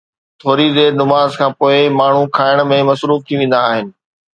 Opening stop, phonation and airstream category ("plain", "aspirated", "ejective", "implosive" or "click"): aspirated